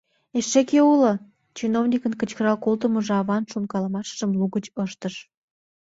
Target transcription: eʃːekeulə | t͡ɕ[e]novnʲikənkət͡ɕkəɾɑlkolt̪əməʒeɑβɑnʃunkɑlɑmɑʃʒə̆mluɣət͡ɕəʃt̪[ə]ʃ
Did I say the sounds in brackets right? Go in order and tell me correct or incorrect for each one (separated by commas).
incorrect, correct